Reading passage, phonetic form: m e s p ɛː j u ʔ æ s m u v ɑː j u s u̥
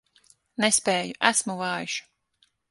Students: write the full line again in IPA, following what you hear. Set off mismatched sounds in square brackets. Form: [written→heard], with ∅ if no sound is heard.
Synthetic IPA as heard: [m→n] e s p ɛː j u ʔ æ s m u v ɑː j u [s→ʃ] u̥